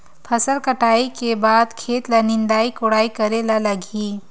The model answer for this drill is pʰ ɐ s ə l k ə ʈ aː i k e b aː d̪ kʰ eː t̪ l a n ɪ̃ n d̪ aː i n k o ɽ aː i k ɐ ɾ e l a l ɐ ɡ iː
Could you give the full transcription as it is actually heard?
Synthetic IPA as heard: pʰ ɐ s ə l k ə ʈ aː i k e b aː d̪ kʰ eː t̪ l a n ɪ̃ n d̪ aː i k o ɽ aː i k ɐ ɾ e l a l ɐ ɡ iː